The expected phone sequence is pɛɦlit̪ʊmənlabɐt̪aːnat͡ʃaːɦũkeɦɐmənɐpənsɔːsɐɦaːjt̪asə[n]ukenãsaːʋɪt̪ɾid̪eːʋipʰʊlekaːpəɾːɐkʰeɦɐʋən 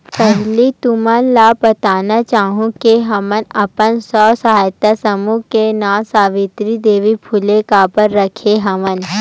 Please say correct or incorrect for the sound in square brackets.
incorrect